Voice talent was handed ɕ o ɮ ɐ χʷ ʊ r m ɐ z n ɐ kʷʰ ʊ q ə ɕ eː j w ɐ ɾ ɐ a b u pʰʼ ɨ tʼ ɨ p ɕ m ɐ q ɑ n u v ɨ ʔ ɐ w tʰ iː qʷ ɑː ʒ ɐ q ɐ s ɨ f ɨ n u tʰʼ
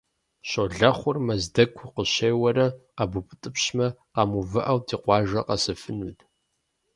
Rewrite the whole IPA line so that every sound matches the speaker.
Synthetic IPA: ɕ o ɮ ɐ χʷ ʊ r m ɐ z d ɐ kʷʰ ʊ q ə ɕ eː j w ɐ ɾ ɐ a b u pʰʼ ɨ tʼ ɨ p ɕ m ɐ q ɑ m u v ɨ ʔ ɐ w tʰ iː qʷ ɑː ʒ ɐ q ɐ s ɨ f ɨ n u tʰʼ